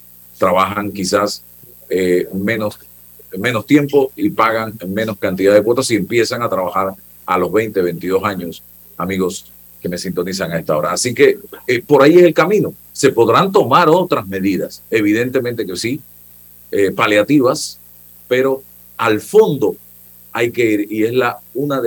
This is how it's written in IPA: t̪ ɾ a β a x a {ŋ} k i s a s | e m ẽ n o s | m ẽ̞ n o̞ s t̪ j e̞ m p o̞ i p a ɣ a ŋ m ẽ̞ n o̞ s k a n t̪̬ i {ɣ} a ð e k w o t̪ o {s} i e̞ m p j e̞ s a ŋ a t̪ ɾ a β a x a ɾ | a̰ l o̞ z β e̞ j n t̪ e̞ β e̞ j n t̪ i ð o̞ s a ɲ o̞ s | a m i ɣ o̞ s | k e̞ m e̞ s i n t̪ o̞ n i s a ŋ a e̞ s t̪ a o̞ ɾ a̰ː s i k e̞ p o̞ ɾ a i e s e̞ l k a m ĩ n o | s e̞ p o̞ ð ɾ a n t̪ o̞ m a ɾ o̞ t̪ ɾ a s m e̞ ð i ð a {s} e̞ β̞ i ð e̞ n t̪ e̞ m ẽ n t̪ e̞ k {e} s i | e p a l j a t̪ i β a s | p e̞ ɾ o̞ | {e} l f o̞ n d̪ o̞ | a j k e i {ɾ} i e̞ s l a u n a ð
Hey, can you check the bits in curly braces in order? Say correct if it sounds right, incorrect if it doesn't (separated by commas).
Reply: correct, incorrect, correct, correct, correct, incorrect, correct